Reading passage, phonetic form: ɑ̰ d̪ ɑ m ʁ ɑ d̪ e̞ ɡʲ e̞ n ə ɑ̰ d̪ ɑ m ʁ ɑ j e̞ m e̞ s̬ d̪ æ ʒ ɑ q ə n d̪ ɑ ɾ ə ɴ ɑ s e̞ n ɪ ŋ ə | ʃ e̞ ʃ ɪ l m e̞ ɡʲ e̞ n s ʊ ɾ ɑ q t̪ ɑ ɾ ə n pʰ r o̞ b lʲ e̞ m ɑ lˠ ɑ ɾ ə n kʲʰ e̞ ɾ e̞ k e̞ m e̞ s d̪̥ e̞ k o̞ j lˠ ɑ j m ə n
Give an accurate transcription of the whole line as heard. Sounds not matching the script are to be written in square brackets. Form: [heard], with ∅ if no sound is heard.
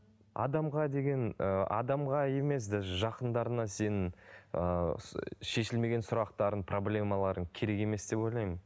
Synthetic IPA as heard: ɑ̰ d̪ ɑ m ʁ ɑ d̪ e̞ ɡʲ e̞ n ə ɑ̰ d̪ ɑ m ʁ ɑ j e̞ m e̞ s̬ d̪ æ ʒ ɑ q ə n d̪ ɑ ɾ ə [n] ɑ s e̞ n ɪ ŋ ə | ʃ e̞ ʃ ɪ l m e̞ ɡʲ e̞ n s ʊ ɾ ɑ q t̪ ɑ ɾ ə n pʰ r o̞ b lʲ e̞ m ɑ lˠ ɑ ɾ ə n kʲʰ e̞ ɾ e̞ k e̞ m e̞ s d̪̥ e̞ [p] o̞ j lˠ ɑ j m ə n

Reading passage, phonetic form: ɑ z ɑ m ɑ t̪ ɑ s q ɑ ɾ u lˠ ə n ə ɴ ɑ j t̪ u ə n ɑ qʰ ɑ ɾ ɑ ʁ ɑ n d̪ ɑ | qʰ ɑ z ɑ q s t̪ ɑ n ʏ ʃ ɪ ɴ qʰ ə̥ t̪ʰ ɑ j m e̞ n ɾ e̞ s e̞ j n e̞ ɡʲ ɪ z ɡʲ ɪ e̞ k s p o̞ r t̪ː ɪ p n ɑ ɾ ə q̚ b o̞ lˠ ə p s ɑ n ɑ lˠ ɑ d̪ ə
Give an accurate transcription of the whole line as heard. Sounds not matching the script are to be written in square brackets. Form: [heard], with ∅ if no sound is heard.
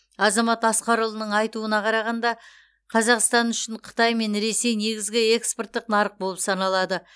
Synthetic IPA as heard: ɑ z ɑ m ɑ t̪ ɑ s q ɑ ɾ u lˠ ə n ə ɴ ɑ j t̪ u ə n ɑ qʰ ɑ ɾ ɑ ʁ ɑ n d̪ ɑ | qʰ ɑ z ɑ q s t̪ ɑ n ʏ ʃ ɪ ɴ qʰ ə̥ [t̪] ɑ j m e̞ n ɾ e̞ s e̞ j n e̞ ɡʲ ɪ z ɡʲ ɪ e̞ k s p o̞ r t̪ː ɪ [q] n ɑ ɾ ə q̚ b o̞ lˠ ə p s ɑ n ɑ lˠ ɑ d̪ ə

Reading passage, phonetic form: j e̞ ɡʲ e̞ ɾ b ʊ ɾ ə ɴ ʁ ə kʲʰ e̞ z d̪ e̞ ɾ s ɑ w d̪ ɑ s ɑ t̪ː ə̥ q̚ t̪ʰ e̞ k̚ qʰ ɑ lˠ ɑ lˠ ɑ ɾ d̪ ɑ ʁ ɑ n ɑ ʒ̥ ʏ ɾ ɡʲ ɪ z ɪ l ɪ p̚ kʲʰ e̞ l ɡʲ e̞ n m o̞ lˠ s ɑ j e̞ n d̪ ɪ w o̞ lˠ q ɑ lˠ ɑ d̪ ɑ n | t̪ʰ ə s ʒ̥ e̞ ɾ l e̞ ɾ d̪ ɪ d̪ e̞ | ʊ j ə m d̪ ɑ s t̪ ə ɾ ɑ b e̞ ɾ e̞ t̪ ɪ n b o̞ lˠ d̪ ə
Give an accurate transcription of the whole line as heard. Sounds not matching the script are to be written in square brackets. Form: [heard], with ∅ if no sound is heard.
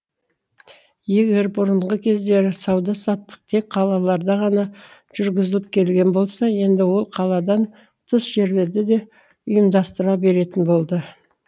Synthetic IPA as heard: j e̞ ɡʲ e̞ ɾ b ʊ ɾ ə ɴ ʁ ə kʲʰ e̞ z d̪ e̞ ɾ s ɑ w d̪ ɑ s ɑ t̪ː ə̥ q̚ t̪ʰ e̞ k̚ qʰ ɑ lˠ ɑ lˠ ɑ ɾ d̪ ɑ ʁ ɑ n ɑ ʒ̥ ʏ ɾ ɡʲ ɪ z ɪ l ɪ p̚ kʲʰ e̞ l ɡʲ e̞ n [b] o̞ lˠ s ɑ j e̞ n d̪ ɪ w o̞ lˠ [qʰ] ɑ lˠ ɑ d̪ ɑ n | t̪ʰ ə s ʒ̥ e̞ ɾ l e̞ ɾ d̪ ɪ d̪ e̞ | ʊ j ə m d̪ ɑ s t̪ ə ɾ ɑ b e̞ ɾ e̞ t̪ ɪ n b o̞ lˠ d̪ ə

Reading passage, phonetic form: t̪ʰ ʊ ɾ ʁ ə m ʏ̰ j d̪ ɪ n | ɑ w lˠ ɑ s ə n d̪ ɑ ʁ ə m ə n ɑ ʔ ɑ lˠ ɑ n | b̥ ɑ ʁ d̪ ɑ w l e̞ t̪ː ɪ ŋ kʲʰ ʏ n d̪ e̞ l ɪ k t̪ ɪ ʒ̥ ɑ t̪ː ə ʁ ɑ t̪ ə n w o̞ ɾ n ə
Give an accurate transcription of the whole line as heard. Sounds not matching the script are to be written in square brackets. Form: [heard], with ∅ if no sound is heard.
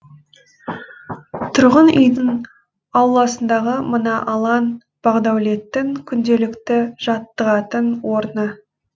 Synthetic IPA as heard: t̪ʰ ʊ ɾ ʁ ə [n] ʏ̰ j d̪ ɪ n | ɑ w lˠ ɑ s ə n d̪ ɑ ʁ ə m ə n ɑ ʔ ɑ lˠ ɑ n | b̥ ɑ ʁ d̪ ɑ w l e̞ t̪ː ɪ ŋ kʲʰ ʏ n d̪ e̞ l ɪ k t̪ ɪ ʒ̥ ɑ t̪ː ə ʁ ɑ t̪ ə n w o̞ ɾ n ə

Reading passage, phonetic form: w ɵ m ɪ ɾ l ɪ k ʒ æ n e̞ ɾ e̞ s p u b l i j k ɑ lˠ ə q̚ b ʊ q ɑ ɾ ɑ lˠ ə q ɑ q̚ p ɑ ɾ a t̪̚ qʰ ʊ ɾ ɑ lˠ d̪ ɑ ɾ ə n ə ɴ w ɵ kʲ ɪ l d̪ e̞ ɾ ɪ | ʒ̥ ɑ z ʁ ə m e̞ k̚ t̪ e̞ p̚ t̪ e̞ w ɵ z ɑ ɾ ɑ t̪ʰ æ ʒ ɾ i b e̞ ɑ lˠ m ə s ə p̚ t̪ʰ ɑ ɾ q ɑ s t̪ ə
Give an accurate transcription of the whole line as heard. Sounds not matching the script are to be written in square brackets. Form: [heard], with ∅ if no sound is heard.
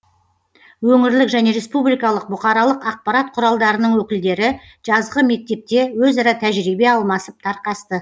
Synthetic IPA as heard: w ɵ [ŋ] ɪ ɾ l ɪ k ʒ æ n e̞ ɾ e̞ s p u b l i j k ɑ lˠ ə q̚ b ʊ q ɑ ɾ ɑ lˠ ə q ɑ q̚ p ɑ ɾ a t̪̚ qʰ ʊ ɾ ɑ lˠ d̪ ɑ ɾ ə n ə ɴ w ɵ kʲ ɪ l d̪ e̞ ɾ ɪ | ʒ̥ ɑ z ʁ ə m e̞ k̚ t̪ e̞ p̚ t̪ e̞ w ɵ z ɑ ɾ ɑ t̪ʰ æ ʒ ɾ i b e̞ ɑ lˠ m [ɑ] s ə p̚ t̪ʰ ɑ ɾ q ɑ s t̪ ə

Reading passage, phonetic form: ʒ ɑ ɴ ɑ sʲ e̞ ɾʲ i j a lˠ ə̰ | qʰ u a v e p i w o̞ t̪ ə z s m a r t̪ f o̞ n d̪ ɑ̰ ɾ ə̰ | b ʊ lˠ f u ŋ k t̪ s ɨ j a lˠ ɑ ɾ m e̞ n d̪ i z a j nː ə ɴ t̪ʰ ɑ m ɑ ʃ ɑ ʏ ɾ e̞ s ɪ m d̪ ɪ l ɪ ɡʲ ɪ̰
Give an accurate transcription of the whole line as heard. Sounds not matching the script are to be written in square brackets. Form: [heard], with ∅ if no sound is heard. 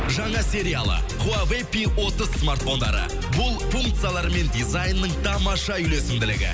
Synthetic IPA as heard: ʒ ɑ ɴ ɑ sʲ e̞ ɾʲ i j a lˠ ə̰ | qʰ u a v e p i w o̞ t̪ ə z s m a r t̪ f o̞ n d̪ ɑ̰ ɾ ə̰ | b ʊ lˠ f u ŋ k t̪ s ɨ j a lˠ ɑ ɾ m e̞ n d̪ i z a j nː ə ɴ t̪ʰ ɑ m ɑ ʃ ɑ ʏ [l] e̞ s ɪ m d̪ ɪ l ɪ ɡʲ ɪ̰

